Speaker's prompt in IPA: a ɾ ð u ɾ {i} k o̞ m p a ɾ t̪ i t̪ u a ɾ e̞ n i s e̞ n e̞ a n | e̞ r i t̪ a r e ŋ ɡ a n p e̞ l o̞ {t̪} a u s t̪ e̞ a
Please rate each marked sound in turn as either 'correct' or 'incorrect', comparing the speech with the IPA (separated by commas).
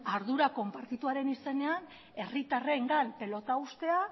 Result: incorrect, correct